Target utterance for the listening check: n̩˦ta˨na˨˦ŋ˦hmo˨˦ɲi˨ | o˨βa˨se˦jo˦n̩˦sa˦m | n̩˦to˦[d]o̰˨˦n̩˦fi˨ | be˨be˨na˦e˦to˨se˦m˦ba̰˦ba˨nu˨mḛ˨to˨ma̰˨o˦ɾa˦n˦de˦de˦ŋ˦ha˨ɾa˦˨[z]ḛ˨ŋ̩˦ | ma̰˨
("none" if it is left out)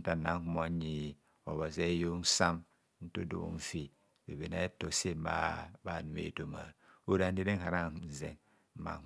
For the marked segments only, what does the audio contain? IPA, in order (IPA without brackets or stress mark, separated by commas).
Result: d, z